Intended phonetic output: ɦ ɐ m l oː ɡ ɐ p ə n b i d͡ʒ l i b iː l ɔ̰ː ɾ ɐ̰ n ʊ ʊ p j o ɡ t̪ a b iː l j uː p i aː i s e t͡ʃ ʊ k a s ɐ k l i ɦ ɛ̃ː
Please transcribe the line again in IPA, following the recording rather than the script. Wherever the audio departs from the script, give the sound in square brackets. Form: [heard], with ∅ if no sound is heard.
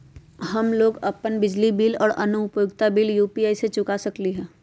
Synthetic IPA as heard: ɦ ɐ m l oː ɡ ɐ p ə n b [ɪ] d͡ʒ l i b iː l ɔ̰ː ɾ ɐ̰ n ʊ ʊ p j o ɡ t̪ a b iː l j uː p i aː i s e t͡ʃ ʊ k a s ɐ k l i ɦ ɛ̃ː